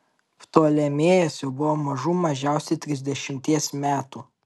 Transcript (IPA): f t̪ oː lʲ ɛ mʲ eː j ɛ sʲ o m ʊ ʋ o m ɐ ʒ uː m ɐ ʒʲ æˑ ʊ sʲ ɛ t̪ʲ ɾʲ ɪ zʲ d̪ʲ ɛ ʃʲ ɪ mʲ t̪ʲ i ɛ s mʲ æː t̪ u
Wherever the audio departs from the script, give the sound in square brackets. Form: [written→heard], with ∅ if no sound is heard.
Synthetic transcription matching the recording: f t̪ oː lʲ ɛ mʲ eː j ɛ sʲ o [m→b] ʊ ʋ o m ɐ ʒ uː m ɐ ʒʲ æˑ ʊ sʲ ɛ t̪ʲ ɾʲ ɪ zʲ d̪ʲ ɛ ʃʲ ɪ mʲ t̪ʲ i ɛ s mʲ æː t̪ u

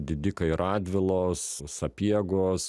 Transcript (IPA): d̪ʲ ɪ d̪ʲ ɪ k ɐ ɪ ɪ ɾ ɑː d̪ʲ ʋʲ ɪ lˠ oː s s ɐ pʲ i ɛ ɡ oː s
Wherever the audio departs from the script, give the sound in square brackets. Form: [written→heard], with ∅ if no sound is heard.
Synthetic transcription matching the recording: d̪ʲ ɪ d̪ʲ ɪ k ɐ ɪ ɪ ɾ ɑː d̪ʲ ʋʲ ɪ lˠ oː s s ɐ pʲ i ɛ ɡ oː s

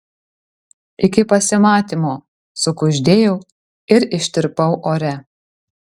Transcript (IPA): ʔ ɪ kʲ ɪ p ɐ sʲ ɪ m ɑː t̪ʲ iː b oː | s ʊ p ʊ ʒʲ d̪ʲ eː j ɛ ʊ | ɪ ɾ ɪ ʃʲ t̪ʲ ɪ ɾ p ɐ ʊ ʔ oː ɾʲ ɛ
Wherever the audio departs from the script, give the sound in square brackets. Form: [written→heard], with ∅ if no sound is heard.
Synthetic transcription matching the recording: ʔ ɪ kʲ ɪ p ɐ sʲ ɪ m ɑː t̪ʲ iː [b→m] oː | s ʊ [p→k] ʊ ʒʲ d̪ʲ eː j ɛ ʊ | ɪ ɾ ɪ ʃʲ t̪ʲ ɪ ɾ p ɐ ʊ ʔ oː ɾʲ ɛ

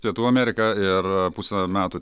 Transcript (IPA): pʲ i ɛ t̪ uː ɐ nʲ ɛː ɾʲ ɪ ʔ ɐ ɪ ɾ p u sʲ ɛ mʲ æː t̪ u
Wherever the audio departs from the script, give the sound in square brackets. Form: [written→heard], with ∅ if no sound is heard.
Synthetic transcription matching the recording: pʲ i ɛ t̪ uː ɐ [nʲ→mʲ] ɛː ɾʲ ɪ [ʔ→k] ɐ ɪ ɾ p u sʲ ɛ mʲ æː t̪ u

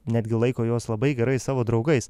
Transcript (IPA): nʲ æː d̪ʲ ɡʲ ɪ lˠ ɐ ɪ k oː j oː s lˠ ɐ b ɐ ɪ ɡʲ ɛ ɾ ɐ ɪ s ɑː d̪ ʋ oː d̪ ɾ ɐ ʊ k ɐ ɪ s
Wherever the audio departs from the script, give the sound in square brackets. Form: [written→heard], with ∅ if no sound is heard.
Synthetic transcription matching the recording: nʲ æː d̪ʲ ɡʲ ɪ lˠ ɐ ɪ k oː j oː s lˠ ɐ b ɐ ɪ ɡʲ ɛ ɾ ɐ ɪ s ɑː [d̪→∅] ʋ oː d̪ ɾ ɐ ʊ [k→ɡ] ɐ ɪ s

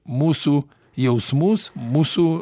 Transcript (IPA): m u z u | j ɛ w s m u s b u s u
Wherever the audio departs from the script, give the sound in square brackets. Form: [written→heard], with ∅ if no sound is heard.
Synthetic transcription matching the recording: m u [z→s] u | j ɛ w s m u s [b→m] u s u

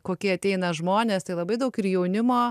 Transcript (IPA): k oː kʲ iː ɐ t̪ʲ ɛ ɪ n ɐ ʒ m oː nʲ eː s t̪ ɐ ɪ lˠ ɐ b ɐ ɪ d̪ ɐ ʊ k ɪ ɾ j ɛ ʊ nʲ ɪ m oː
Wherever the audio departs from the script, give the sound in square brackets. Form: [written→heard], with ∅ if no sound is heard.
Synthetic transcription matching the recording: k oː kʲ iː ɐ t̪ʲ ɛ ɪ n ɐ ʒ m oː nʲ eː s t̪ ɐ ɪ lˠ ɐ b ɐ ɪ d̪ ɐ ʊ k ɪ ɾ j ɛ ʊ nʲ ɪ m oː

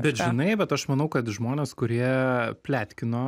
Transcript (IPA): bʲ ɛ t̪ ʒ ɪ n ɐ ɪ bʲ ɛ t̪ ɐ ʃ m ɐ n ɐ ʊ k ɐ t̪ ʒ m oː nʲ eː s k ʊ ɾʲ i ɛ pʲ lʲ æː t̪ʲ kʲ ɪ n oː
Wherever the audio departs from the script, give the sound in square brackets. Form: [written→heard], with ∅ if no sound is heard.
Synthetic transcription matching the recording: bʲ ɛ t̪ ʒ ɪ n ɐ ɪ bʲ ɛ t̪ ɐ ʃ m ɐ n ɐ ʊ k ɐ t̪ ʒ m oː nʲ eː s k ʊ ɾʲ i ɛ pʲ lʲ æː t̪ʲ kʲ ɪ n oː

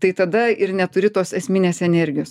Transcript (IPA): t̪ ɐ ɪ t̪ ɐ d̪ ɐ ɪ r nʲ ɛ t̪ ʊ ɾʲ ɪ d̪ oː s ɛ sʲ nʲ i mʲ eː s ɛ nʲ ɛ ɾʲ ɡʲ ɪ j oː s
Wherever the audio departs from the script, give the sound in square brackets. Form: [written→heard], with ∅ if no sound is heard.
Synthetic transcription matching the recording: t̪ ɐ ɪ t̪ ɐ d̪ ɐ ɪ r nʲ ɛ t̪ ʊ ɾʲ ɪ [d̪→t̪] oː s ɛ sʲ [nʲ→mʲ] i [mʲ→nʲ] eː s ɛ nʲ ɛ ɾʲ ɡʲ ɪ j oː s

